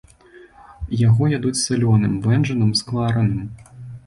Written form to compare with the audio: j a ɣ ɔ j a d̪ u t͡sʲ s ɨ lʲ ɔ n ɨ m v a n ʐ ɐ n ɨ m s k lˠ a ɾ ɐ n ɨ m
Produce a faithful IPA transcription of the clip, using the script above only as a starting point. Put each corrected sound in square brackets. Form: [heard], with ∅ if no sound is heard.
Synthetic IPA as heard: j a ɣ ɔ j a d̪ u t͡sʲ s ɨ lʲ ɔ n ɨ m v [ɛ] n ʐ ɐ n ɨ m s k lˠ a ɾ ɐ n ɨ m

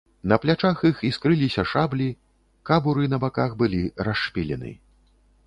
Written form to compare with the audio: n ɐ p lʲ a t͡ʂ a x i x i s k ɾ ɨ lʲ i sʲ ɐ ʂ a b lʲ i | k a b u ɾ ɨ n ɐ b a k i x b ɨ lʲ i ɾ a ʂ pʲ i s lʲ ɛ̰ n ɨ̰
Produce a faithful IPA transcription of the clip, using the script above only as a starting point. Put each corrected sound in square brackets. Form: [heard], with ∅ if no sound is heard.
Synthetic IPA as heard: n ɐ p lʲ a t͡ʂ a x i x i s k ɾ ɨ lʲ i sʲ ɐ ʂ a b lʲ i | k a b u ɾ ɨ n ɐ b a k [a] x b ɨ lʲ i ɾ a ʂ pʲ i [∅] lʲ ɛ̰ n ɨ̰

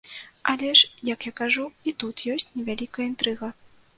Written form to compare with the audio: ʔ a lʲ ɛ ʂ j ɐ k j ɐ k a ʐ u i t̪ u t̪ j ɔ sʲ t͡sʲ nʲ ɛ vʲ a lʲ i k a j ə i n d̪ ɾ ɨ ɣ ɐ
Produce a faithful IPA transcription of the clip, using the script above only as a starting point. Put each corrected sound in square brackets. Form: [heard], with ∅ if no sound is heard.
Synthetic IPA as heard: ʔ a lʲ ɛ ʂ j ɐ k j [a] k a ʐ u i t̪ u t̪ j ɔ sʲ t͡sʲ nʲ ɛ vʲ a lʲ i k [ɐ] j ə i n [t̪] ɾ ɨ ɣ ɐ

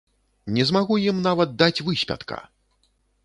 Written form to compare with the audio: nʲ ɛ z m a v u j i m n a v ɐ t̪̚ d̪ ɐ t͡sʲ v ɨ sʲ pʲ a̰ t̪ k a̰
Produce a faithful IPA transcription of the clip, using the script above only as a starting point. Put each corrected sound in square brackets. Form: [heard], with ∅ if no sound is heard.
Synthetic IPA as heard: nʲ ɛ z m a [ɣ] u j i m n a v ɐ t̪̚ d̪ [a] t͡sʲ v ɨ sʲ pʲ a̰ t̪ k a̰

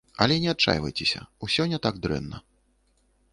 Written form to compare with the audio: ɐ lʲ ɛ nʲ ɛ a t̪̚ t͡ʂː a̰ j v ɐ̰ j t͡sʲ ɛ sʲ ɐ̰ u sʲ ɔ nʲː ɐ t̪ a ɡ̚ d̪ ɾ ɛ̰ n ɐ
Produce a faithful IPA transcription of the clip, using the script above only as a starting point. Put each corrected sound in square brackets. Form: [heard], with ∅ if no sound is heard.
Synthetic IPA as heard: ɐ lʲ ɛ nʲ ɛ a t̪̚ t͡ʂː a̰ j v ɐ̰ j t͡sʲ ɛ sʲ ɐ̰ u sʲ ɔ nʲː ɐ t̪ a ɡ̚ d̪ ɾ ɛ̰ [nː] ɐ

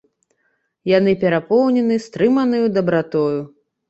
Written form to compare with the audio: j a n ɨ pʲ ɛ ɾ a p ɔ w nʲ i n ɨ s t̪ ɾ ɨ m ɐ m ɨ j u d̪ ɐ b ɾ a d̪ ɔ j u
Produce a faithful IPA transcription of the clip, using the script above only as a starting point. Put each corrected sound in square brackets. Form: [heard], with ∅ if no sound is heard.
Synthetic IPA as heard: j a n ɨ pʲ ɛ ɾ a p ɔ w nʲ [ɛ] n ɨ s t̪ ɾ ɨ m ɐ [n] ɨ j u d̪ ɐ b ɾ a [t̪] ɔ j u

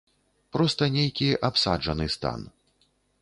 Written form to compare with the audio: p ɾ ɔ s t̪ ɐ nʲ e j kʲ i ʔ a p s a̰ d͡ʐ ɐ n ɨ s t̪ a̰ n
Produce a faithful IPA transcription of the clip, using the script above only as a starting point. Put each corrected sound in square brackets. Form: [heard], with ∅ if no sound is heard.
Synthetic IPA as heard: p ɾ ɔ s t̪ ɐ nʲ e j kʲ i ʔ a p s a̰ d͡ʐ ɐ n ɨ s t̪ a̰ n

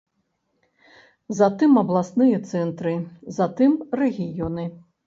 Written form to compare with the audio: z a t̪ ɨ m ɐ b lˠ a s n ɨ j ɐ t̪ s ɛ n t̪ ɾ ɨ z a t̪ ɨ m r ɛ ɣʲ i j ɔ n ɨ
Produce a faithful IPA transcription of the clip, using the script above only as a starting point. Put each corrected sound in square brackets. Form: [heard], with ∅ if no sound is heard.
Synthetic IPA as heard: z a t̪ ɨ m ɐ b lˠ a s n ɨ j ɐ t̪ s ɛ n t̪ ɾ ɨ z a t̪ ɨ m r ɛ ɣʲ i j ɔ n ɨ

